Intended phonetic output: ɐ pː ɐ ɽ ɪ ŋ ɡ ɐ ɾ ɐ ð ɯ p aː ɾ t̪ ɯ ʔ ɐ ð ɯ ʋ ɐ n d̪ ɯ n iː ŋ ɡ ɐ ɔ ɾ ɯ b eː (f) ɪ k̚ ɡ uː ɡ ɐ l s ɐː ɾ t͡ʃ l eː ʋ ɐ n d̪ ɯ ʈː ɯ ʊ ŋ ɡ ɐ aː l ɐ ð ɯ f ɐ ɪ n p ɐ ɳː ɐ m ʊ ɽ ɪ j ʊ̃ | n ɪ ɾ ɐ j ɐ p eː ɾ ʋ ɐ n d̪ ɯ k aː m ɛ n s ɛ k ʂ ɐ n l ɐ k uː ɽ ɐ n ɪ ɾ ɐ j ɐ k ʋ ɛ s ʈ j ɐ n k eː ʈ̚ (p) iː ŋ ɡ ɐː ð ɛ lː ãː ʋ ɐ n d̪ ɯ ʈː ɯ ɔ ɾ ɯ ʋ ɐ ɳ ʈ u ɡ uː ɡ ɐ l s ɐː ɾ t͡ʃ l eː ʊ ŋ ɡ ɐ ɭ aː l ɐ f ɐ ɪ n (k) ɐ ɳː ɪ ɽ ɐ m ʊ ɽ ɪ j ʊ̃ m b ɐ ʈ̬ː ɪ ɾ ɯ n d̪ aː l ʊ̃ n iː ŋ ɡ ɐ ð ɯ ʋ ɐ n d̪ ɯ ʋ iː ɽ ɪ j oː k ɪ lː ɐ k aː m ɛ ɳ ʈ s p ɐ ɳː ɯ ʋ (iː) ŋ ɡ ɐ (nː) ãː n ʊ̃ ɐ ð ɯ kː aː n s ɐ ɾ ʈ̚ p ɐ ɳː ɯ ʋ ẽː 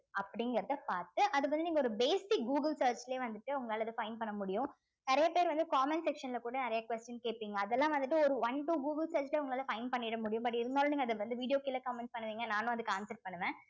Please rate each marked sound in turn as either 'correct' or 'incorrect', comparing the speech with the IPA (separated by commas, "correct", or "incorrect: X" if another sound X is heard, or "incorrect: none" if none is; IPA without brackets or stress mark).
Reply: incorrect: s, correct, incorrect: p, correct, incorrect: n